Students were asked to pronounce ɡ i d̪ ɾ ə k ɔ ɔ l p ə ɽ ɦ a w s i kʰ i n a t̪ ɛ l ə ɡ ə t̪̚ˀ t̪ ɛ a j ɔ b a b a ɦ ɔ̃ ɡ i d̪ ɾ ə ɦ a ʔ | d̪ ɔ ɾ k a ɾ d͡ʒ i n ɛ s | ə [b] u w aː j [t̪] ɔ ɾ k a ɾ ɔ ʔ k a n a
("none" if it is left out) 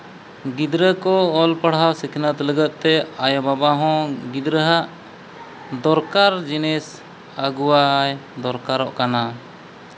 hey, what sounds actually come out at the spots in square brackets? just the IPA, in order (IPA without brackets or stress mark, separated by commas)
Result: ɡ, d̪